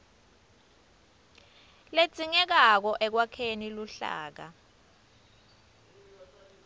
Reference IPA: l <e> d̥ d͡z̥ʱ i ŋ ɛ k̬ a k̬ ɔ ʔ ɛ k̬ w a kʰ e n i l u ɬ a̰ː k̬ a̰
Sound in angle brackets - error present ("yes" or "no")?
no